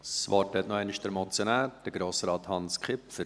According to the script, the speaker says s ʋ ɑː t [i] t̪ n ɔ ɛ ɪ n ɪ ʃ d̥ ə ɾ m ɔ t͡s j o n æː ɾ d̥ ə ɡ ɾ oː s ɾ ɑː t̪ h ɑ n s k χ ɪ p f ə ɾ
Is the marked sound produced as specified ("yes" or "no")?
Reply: no